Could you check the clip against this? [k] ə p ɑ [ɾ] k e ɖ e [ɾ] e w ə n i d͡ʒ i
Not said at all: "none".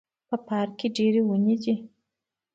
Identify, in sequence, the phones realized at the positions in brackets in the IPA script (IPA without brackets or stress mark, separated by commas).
p, ɾ, ɾ